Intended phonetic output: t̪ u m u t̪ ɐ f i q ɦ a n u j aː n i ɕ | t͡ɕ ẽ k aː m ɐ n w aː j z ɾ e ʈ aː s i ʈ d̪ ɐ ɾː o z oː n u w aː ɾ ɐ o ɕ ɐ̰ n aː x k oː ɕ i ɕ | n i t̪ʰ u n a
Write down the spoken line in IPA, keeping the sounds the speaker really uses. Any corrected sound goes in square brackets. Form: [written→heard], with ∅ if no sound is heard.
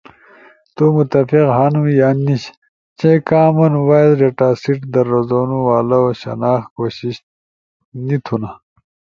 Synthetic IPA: t̪ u m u t̪ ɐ f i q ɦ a n u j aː n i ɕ | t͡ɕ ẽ k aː m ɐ n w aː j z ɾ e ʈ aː s i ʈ d̪ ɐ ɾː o z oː n u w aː [ɾ→l] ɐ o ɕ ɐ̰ n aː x k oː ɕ i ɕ | n i t̪ʰ u n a